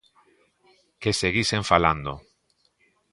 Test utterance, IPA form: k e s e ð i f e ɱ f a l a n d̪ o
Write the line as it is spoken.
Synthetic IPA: k e s e ɣ i s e ɱ f a l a n d̪ o